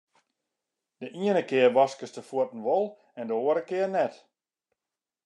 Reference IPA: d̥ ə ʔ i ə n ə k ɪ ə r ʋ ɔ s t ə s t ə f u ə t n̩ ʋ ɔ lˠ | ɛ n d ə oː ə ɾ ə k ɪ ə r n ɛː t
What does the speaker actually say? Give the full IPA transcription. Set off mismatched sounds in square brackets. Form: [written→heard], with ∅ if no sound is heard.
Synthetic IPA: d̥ ə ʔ i ə n ə k ɪ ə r ʋ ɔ s [t→k] ə s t ə f u ə t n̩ ʋ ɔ lˠ | ɛ n d ə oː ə ɾ ə k ɪ ə r n [ɛː→ɛ] t